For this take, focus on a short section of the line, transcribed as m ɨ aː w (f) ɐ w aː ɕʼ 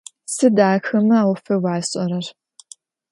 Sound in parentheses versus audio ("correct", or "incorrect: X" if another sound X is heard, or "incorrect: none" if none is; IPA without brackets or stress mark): correct